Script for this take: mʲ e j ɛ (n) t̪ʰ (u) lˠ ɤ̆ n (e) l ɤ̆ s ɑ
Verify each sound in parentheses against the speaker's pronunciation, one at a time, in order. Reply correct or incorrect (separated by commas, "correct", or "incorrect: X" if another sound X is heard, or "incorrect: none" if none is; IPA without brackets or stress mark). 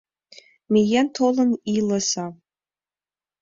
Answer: correct, incorrect: o, incorrect: i